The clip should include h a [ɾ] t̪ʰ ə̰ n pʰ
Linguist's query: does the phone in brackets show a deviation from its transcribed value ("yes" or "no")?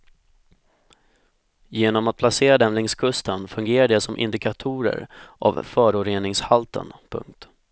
yes